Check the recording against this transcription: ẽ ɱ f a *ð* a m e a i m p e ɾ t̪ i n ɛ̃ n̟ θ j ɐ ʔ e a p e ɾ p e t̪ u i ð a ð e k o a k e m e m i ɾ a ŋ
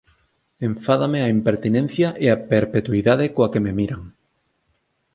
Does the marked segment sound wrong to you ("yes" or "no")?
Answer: no